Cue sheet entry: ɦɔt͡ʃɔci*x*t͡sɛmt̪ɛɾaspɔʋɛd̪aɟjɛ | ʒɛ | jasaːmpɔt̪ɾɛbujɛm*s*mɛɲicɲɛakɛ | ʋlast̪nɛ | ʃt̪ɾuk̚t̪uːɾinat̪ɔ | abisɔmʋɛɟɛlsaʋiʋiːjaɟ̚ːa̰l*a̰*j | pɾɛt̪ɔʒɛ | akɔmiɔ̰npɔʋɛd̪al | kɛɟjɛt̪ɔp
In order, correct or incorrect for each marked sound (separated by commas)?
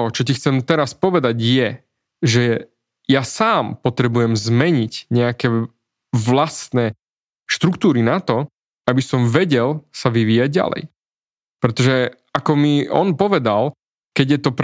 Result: correct, incorrect, incorrect